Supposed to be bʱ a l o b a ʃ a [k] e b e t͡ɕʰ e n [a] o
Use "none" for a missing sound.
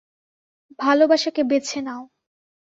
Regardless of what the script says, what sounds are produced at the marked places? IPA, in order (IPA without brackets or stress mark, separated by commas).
k, a